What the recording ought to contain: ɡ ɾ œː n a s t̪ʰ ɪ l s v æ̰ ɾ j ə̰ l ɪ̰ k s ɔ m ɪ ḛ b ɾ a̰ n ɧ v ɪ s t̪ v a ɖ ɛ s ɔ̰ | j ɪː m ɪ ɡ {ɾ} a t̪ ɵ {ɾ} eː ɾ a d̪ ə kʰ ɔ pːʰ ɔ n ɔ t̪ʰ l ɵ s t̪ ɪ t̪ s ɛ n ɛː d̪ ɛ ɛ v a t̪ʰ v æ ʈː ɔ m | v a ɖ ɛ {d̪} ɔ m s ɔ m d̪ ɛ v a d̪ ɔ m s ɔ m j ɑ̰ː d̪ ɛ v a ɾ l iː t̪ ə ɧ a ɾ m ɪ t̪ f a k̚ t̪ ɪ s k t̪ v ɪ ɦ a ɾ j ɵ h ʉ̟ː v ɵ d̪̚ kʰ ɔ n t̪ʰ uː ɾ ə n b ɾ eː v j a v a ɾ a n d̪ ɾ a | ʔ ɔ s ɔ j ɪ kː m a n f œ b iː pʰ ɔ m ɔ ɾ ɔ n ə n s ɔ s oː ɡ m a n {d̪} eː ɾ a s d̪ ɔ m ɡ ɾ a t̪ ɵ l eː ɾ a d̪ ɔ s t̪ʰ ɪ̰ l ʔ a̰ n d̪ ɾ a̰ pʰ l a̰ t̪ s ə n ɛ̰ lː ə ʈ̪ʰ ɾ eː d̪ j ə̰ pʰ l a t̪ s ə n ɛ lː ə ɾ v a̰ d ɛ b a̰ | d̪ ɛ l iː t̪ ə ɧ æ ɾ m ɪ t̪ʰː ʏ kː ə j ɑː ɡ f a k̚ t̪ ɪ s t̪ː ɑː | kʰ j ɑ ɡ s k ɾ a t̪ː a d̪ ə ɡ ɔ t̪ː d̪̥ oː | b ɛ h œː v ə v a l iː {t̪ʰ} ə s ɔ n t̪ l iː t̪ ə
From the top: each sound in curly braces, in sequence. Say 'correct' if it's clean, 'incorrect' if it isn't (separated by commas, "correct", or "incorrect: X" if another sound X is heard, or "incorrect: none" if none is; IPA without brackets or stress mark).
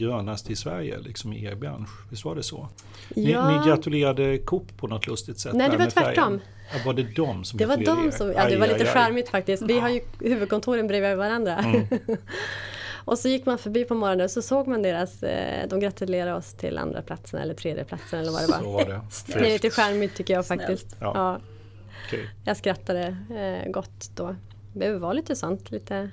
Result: correct, incorrect: l, correct, correct, incorrect: t̪